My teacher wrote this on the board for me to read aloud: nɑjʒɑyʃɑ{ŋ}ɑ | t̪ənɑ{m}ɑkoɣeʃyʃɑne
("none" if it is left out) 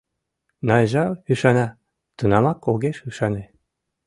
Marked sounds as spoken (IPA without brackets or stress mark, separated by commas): n, m